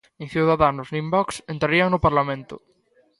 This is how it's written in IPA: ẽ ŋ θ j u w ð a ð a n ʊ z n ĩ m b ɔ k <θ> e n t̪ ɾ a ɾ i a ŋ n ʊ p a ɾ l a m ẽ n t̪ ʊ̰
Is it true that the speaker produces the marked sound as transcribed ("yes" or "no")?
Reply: no